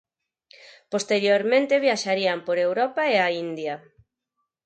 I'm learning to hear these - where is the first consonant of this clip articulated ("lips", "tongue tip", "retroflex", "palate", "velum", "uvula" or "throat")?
lips